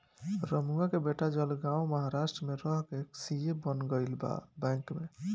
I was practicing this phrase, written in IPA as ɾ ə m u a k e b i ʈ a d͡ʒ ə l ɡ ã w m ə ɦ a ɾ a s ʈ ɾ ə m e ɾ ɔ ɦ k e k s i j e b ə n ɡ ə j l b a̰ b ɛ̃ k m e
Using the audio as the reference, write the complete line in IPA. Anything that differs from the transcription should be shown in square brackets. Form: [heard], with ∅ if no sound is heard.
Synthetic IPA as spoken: ɾ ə m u a k e b [e] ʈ a d͡ʒ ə l ɡ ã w m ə ɦ a ɾ a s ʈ ɾ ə m e ɾ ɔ ɦ k e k s i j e b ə n ɡ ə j l b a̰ b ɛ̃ k m e